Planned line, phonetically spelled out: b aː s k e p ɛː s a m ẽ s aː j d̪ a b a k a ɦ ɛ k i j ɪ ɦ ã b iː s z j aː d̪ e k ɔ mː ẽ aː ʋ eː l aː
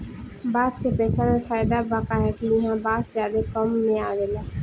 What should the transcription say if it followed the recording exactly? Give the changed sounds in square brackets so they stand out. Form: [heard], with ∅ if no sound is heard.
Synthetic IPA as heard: b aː s k e p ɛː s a m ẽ [f] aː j d̪ a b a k a ɦ ɛ k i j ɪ ɦ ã b [aː] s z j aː d̪ e k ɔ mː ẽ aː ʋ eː l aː